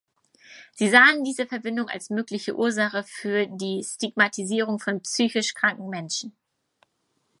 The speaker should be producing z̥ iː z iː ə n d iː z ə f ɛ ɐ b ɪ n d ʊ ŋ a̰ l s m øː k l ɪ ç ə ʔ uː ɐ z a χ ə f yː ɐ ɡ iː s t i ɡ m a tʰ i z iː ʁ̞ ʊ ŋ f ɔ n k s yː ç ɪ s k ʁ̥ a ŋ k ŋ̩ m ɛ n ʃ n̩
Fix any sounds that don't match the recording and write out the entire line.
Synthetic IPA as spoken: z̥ iː z aː ə n d iː z ə f ɛ ɐ b ɪ n d ʊ ŋ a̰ l s m øː k l ɪ ç ə ʔ uː ɐ z a χ ə f yː ɐ d iː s t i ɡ m a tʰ i z iː ʁ̞ ʊ ŋ f ɔ n p s yː ç ɪ ʃ k ʁ̥ a ŋ k ŋ̩ m ɛ n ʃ n̩